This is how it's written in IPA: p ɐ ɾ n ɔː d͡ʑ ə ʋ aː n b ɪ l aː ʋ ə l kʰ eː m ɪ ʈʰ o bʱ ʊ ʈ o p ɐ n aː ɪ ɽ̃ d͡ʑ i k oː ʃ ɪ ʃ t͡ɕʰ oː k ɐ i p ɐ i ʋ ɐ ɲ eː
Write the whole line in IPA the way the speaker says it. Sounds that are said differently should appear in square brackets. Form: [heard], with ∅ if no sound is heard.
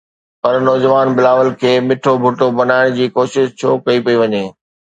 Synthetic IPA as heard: p ɐ ɾ n ɔː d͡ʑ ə ʋ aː n b ɪ l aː ʋ ə l kʰ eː m ɪ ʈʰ o bʱ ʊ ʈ o [b] ɐ n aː ɪ ɽ̃ d͡ʑ [iː] k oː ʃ ɪ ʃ t͡ɕʰ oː k ɐ i p ɐ i ʋ ɐ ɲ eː